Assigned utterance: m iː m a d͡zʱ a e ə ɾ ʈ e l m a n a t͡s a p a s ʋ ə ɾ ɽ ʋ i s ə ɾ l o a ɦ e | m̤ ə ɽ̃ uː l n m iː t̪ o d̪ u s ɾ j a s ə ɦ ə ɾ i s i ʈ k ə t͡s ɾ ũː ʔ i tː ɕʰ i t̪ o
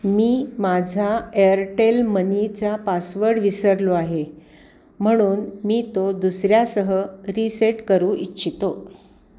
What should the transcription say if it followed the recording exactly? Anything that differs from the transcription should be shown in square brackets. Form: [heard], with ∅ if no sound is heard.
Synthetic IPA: m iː m a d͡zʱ a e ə ɾ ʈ e l m [ə] n [i] t͡s a p a s ʋ ə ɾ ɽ ʋ i s ə ɾ l o a ɦ e | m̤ ə ɽ̃ uː [∅] n m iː t̪ o d̪ u s ɾ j a s ə ɦ ə ɾ i s [e] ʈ k ə [∅] ɾ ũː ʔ i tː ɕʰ i t̪ o